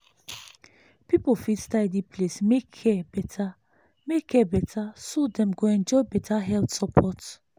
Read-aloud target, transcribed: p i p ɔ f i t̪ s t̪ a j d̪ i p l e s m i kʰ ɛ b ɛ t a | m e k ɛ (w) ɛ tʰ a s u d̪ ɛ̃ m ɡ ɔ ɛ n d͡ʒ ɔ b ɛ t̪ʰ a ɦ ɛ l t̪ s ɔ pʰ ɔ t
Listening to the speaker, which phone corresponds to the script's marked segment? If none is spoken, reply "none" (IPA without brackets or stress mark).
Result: b